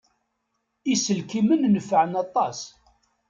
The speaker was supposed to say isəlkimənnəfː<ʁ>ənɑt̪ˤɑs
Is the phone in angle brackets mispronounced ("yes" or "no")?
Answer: yes